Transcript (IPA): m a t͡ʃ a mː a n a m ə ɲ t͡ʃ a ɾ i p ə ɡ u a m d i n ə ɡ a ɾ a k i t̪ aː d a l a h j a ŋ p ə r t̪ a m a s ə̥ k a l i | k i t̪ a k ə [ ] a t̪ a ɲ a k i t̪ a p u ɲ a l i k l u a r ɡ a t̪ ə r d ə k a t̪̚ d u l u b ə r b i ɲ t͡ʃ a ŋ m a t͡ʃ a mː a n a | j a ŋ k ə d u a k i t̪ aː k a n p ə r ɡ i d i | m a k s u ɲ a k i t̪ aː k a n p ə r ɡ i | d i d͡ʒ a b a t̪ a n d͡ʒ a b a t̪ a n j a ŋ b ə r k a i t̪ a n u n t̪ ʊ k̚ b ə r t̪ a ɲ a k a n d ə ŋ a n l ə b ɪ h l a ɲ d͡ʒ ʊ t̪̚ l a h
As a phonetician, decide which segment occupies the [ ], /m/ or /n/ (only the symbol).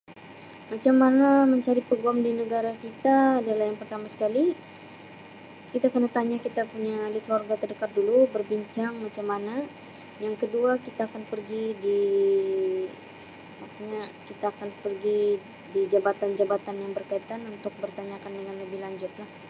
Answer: n